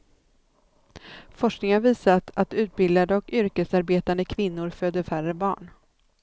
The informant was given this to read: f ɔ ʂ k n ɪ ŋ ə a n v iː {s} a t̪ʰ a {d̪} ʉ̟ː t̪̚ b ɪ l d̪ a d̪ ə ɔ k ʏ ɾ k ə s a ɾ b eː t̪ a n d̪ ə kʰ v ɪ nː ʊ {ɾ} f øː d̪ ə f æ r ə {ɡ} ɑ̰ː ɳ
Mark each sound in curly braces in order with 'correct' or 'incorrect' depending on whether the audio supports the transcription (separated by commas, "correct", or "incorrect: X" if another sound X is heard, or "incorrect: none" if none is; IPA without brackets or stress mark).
correct, incorrect: t̪, correct, incorrect: b